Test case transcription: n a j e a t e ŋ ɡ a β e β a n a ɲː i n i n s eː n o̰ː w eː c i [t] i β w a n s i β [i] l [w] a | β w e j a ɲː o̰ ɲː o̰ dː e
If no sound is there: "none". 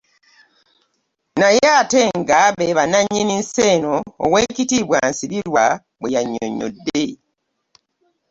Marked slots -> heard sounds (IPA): t, i, w

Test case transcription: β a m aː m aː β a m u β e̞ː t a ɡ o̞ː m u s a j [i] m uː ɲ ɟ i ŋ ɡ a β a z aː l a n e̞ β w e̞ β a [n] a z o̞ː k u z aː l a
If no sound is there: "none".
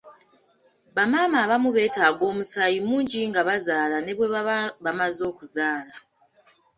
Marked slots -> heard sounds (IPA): i, m

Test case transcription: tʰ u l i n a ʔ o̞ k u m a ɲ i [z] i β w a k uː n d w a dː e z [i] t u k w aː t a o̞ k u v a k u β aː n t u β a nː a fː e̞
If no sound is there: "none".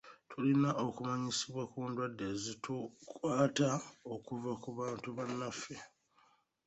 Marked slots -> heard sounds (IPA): s, i

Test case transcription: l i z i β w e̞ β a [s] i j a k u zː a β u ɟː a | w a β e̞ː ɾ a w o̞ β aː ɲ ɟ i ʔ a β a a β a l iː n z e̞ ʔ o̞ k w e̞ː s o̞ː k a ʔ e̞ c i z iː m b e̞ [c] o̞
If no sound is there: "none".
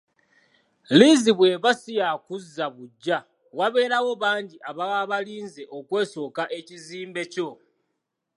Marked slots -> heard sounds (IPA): s, c

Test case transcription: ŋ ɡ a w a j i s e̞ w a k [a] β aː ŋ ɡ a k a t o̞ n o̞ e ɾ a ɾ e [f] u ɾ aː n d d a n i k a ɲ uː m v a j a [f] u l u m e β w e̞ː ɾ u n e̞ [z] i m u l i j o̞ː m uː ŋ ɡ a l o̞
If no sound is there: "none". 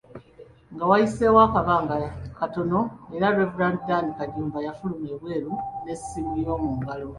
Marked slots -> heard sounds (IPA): a, v, f, s

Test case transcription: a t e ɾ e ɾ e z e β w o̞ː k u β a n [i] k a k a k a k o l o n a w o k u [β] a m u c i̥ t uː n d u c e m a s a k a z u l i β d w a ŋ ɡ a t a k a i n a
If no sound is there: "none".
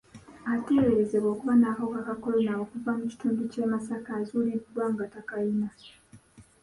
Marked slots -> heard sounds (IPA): a, v

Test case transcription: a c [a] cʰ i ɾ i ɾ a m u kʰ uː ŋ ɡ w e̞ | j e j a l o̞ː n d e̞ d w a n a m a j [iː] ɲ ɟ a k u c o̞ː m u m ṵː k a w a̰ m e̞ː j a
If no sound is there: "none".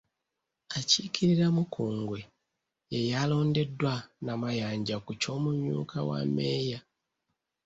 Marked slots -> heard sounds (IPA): i, aː

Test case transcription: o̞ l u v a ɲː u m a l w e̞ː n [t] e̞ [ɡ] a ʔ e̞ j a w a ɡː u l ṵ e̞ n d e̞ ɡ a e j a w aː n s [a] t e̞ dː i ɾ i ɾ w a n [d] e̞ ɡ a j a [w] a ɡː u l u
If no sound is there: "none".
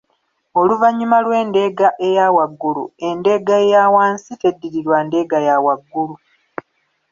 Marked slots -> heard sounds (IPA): d, ɡ, i, d, w

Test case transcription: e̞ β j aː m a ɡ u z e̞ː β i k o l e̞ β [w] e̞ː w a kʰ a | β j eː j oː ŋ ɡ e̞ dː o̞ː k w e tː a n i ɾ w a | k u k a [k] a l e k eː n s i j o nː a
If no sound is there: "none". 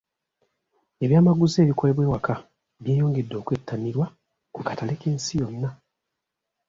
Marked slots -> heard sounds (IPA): w, t

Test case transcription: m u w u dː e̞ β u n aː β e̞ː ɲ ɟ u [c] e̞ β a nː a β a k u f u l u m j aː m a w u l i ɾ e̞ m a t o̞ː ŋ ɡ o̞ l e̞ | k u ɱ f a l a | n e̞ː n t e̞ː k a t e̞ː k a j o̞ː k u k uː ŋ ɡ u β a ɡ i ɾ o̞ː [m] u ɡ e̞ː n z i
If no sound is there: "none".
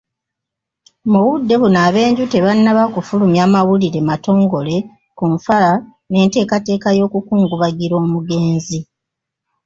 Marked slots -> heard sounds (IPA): t, m

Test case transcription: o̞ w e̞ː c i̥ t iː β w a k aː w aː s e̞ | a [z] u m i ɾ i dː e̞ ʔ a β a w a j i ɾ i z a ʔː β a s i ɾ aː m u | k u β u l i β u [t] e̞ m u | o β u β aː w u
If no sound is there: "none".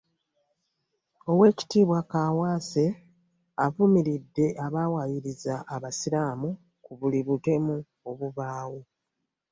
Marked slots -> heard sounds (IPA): v, t

